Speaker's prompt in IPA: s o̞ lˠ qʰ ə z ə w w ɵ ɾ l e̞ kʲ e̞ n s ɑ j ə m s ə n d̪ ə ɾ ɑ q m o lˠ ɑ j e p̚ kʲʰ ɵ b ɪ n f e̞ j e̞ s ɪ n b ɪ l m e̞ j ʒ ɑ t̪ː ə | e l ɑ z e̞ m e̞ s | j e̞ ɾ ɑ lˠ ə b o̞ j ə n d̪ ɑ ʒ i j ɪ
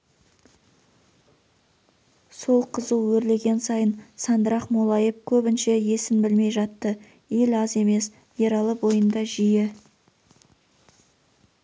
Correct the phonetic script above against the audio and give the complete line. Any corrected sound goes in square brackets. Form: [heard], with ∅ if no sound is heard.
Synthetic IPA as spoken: s o̞ lˠ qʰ ə z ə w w ɵ ɾ l e̞ [ɡʲ] e̞ n s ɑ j ə [n] s [ɑ] n d̪ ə ɾ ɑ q m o lˠ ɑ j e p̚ kʲʰ ɵ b ɪ n [ʃ] e̞ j e̞ s ɪ n b ɪ l m e̞ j ʒ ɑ t̪ː ə | e l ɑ z e̞ m e̞ s | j e̞ ɾ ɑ lˠ ə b o̞ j ə n d̪ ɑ ʒ i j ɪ

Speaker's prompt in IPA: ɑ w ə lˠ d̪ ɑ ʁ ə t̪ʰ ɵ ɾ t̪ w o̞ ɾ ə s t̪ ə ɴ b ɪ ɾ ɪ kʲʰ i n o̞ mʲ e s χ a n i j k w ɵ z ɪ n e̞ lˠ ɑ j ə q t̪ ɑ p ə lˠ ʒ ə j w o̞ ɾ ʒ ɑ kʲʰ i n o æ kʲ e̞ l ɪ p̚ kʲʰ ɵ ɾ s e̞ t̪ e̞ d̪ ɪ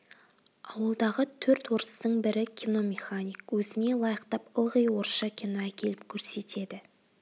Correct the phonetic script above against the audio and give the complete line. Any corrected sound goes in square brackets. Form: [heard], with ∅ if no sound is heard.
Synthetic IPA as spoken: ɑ w ə lˠ d̪ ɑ ʁ ə t̪ʰ ɵ ɾ t̪ w o̞ ɾ ə s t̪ ə ɴ b ɪ ɾ ɪ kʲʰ i n o̞ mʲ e [∅] χ a n i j k w ɵ z ɪ n e̞ lˠ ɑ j ə q t̪ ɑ p ə lˠ [ʁ] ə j w o̞ ɾ [ʃ] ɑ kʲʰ i n o æ kʲ e̞ l ɪ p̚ kʲʰ ɵ ɾ s e̞ t̪ e̞ d̪ ɪ

